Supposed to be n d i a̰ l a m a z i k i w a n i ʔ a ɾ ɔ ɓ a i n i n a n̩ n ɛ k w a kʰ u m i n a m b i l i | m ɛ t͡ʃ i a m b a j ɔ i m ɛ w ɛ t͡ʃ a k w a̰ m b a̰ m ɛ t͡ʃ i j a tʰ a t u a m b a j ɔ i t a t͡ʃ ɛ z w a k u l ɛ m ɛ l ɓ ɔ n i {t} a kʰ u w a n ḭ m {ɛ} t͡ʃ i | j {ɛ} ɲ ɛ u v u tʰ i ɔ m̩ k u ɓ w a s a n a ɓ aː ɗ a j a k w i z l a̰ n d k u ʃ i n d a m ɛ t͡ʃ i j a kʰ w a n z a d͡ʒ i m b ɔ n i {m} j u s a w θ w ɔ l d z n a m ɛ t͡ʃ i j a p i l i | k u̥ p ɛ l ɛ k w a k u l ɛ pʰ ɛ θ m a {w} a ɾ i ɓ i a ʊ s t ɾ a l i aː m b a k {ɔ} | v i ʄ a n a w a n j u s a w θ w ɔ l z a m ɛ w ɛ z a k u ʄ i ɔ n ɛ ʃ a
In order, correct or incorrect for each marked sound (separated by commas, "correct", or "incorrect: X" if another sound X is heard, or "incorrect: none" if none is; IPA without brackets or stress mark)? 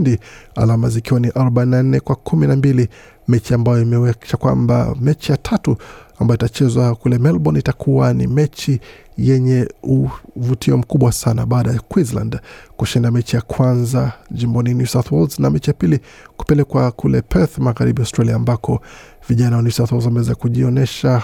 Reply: correct, correct, correct, incorrect: n, incorrect: ɣ, correct